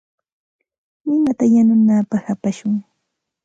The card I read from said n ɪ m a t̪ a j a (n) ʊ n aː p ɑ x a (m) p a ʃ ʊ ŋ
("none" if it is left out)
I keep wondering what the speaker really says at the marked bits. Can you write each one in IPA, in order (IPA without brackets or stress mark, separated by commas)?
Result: n, none